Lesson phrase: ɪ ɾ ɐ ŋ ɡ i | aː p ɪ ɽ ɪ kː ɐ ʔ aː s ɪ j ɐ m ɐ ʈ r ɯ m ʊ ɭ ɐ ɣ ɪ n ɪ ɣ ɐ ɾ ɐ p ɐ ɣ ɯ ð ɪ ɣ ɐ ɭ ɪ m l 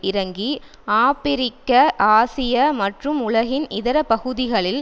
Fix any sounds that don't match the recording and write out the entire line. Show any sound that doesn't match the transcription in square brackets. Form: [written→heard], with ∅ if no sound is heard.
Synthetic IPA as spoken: ɪ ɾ ɐ ŋ ɡ i | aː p ɪ [ɽ→ɾ] ɪ kː ɐ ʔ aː s ɪ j ɐ m ɐ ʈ r ɯ m ʊ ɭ ɐ ɣ ɪ n ɪ [ɣ→ð] ɐ ɾ ɐ p ɐ ɣ ɯ ð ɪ ɣ ɐ ɭ ɪ [m→∅] l